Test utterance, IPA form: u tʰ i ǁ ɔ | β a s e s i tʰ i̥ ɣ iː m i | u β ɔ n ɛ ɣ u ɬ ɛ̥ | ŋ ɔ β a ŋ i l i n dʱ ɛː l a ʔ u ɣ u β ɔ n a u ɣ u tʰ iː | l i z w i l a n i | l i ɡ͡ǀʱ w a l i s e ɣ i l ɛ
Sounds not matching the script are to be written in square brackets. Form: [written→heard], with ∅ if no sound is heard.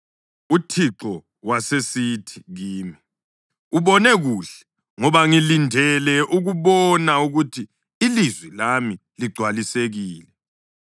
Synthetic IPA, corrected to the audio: u tʰ i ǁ ɔ | [β→w] a s e s i tʰ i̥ ɣ iː m i | u β ɔ n ɛ ɣ u ɬ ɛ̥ | ŋ ɔ β a ŋ i l i n dʱ [ɛː→ɛ] l [a→ɛ] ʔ u ɣ u β ɔ n a u ɣ u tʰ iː | l i z w i l a [n→m] i | l i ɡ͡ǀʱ w a l i s e ɣ [i→iː] l ɛ

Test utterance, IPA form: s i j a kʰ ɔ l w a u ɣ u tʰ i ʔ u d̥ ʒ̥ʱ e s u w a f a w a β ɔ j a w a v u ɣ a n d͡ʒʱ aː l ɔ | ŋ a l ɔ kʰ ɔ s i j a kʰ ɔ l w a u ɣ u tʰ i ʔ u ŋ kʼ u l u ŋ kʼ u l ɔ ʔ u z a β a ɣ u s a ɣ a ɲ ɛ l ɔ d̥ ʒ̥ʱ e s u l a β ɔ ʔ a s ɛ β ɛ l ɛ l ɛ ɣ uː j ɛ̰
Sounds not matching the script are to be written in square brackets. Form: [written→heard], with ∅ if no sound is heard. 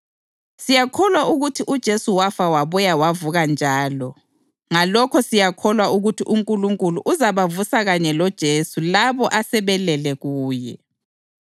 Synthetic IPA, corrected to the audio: s i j a kʰ ɔ l w a u ɣ u tʰ i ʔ u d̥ ʒ̥ʱ e s u w a f a w a β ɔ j a w a v u ɣ a n d͡ʒʱ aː l ɔ | ŋ a l ɔ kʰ ɔ s i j a kʰ ɔ l w a u ɣ u tʰ i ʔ u ŋ kʼ u l u ŋ kʼ u l [ɔ→u] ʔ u z a β a [ɣ→v] u s a ɣ a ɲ ɛ l ɔ d̥ ʒ̥ʱ e s u l a β ɔ ʔ a s ɛ β ɛ l ɛ l ɛ ɣ uː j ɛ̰

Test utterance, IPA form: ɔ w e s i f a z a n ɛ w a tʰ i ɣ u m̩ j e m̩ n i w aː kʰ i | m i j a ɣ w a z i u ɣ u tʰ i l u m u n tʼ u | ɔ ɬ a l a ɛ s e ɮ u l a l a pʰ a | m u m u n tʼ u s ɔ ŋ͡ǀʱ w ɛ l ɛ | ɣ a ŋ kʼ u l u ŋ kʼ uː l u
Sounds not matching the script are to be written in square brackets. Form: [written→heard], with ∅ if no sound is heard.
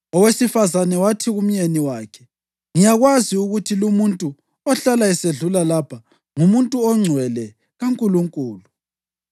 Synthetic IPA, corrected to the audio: ɔ w e s i f a z a n ɛ w a tʰ i ɣ u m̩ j e [m̩→∅] n i w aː kʰ [i→ɛ] | [m→ŋ] i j a ɣ w a z i u ɣ u tʰ i l u m u n tʼ u | ɔ ɬ a l a ɛ s e ɮ u l a l a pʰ a | [m→ŋ] u m u n tʼ u [s→∅] ɔ ŋ͡ǀʱ w ɛ l ɛ | ɣ a ŋ kʼ u l u ŋ kʼ uː l u

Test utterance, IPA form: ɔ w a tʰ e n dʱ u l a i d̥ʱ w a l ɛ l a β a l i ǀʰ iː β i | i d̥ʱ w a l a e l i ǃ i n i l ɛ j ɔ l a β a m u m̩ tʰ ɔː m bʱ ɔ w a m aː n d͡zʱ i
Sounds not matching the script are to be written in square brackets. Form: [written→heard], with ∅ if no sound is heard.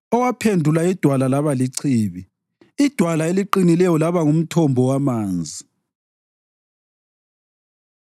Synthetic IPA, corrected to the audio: ɔ w a [tʰ→pʰ] e n dʱ u l a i d̥ʱ w a l [ɛ→a] l a β a l i ǀʰ iː β i | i d̥ʱ w a l a e l i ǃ i n i l ɛ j ɔ l a β a [m→ŋ] u m̩ tʰ [ɔː→ɔ] m bʱ ɔ w a m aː n d͡zʱ i

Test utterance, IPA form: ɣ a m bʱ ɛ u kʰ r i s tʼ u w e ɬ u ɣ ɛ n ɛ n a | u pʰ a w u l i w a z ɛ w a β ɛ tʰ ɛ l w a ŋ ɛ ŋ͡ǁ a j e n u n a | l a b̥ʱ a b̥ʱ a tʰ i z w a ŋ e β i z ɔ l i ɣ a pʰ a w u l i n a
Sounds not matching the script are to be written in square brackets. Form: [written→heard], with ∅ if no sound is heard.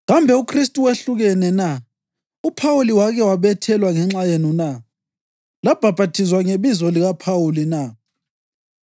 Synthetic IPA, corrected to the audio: ɣ a m bʱ ɛ u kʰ r i s tʼ u w e ɬ u ɣ ɛ n ɛ n a | u pʰ a w u l i w a [z→ɣ] ɛ w a β ɛ tʰ ɛ l w a ŋ ɛ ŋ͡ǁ a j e n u n a | l a b̥ʱ a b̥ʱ a tʰ i z w a ŋ e β i z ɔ l i ɣ a pʰ a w u l i n a

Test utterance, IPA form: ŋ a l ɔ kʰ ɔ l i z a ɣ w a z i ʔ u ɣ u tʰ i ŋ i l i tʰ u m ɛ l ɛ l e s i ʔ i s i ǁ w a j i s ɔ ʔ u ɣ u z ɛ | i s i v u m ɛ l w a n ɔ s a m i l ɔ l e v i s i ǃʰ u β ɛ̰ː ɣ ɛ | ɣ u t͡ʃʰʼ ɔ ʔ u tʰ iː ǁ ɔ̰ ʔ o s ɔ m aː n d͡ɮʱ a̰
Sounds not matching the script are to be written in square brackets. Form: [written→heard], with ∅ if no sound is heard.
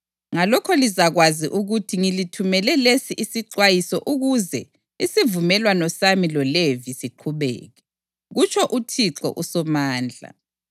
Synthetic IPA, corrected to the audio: ŋ a l ɔ kʰ ɔ l i z a ɣ w a z i ʔ u ɣ u tʰ i ŋ i l i tʰ u m ɛ l ɛ l e s i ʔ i s i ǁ w a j i s ɔ ʔ u ɣ u z ɛ | i s i v u m ɛ l w a n ɔ s a m i l ɔ l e v i s i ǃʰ u β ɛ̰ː ɣ ɛ | ɣ u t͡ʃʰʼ ɔ ʔ u tʰ [iː→i] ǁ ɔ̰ ʔ [o→u] s ɔ m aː n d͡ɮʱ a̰

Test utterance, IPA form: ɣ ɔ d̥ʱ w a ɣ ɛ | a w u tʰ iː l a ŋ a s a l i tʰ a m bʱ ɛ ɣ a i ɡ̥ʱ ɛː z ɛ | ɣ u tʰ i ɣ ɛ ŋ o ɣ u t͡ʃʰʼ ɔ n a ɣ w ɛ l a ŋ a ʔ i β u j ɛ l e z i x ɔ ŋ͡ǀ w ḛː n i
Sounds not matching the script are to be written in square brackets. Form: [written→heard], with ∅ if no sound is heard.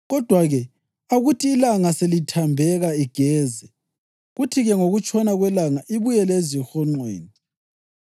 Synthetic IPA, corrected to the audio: ɣ ɔ d̥ʱ w a ɣ ɛ | a [w→ɣ] u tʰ iː l a ŋ a s [a→e] l i tʰ a m bʱ ɛ ɣ a i ɡ̥ʱ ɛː z ɛ | ɣ u tʰ i ɣ ɛ ŋ o ɣ u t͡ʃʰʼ ɔ n a ɣ w ɛ l a ŋ a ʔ i β u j ɛ l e z i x ɔ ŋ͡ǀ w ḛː n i

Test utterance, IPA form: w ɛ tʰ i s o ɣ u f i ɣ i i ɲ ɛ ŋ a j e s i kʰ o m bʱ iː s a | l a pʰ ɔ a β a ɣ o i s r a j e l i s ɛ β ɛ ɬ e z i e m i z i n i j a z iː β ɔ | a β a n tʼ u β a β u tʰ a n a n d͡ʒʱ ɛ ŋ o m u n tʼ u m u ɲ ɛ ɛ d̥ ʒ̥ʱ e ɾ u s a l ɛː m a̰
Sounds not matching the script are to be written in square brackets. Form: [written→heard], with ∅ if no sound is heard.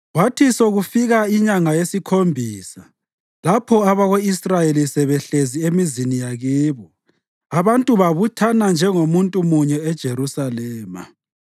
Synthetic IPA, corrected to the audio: w [ɛ→a] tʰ i s o ɣ u f i ɣ [i→a] i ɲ [ɛ→a] ŋ a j e s i kʰ o m bʱ iː s a | l a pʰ ɔ a β a ɣ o i s r a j e l i s ɛ β ɛ ɬ e z i e m i z i n i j a [z→ɣ] iː β ɔ | a β a n tʼ u β a β u tʰ a n a n d͡ʒʱ ɛ ŋ o m u n tʼ u m u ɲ ɛ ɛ d̥ ʒ̥ʱ e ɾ u s a l ɛː m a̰

